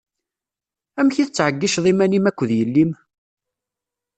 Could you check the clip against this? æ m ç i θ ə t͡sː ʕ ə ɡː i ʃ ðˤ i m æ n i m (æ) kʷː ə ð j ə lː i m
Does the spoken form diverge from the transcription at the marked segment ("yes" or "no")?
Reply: no